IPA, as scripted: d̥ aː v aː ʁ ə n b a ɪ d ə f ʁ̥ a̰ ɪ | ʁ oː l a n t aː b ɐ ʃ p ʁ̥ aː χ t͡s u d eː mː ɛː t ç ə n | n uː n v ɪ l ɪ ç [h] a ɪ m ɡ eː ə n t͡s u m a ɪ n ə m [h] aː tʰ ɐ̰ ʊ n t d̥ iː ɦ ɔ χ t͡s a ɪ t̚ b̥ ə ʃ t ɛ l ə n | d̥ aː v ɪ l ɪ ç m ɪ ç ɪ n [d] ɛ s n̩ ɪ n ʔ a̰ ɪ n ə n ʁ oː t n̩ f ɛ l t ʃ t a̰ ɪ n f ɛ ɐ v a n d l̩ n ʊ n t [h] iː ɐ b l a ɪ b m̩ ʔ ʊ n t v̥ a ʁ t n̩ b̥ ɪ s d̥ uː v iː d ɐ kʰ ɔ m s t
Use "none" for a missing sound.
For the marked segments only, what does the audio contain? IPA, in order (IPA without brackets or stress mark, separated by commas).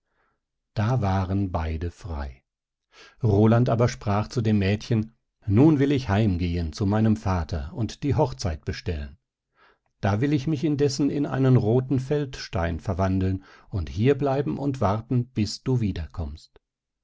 h, f, d, h